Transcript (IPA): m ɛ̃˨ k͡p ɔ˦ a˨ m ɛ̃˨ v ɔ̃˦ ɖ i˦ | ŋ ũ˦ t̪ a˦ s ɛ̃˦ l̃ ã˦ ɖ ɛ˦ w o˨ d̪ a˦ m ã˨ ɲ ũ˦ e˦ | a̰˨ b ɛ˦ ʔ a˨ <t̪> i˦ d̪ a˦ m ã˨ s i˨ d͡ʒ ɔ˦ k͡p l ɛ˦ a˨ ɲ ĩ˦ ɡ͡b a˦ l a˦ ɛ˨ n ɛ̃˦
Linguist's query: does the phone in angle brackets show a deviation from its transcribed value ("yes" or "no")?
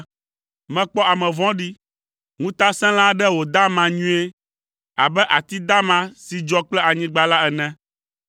no